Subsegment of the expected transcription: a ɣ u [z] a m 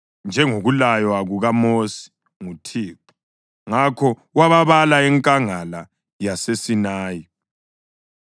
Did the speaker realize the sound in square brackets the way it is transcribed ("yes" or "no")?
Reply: no